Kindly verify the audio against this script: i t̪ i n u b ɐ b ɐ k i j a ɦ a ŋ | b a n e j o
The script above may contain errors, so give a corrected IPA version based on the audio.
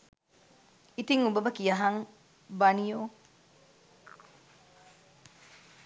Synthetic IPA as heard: i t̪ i ŋ u b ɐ b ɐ k i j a ɦ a ŋ | b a n i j o